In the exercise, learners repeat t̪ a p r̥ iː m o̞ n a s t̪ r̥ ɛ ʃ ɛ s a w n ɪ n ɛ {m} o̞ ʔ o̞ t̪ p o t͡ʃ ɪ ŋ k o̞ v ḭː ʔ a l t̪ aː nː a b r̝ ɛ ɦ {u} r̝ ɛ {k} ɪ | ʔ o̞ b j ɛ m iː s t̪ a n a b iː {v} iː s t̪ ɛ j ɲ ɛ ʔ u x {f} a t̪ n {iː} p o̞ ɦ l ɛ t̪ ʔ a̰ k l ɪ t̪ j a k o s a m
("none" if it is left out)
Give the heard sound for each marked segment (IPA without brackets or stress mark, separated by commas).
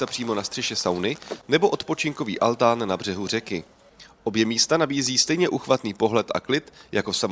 b, u, k, z, v, iː